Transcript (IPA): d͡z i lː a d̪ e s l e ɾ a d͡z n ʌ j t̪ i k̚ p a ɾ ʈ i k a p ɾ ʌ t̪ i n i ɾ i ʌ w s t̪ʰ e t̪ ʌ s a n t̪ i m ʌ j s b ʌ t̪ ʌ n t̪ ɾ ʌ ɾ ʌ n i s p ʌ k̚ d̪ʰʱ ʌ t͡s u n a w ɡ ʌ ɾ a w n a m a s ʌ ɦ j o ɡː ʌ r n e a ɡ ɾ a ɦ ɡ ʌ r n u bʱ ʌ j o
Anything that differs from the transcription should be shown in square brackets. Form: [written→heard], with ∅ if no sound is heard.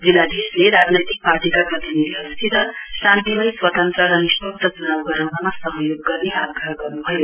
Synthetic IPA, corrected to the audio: d͡z i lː a d̪ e s l e ɾ a d͡z n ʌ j t̪ i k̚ p a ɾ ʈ i k a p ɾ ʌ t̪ i n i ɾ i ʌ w s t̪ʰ [e→i] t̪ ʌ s a n t̪ i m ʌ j s [b→w] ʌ t̪ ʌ n t̪ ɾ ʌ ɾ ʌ n i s p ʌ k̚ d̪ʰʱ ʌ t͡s u n a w ɡ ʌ ɾ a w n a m a s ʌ ɦ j o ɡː ʌ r n e a ɡ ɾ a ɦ ɡ ʌ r n u bʱ ʌ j o